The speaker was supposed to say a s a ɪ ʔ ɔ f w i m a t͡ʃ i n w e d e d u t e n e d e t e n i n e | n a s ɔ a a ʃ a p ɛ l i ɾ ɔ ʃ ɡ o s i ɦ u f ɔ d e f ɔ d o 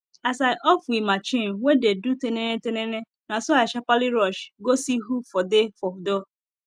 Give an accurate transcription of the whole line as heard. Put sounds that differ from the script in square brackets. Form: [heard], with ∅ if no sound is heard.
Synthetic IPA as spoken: a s a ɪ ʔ ɔ f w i m a t͡ʃ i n w e d e d u t e n e [n] e t e n [e] n e | n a s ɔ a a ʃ a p [a] l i ɾ ɔ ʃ ɡ o s i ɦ u f ɔ d e f ɔ d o